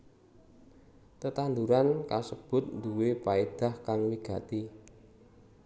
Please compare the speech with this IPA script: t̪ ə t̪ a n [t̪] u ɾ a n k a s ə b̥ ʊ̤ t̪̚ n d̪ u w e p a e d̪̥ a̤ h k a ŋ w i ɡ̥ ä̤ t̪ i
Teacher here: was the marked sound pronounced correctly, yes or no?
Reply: no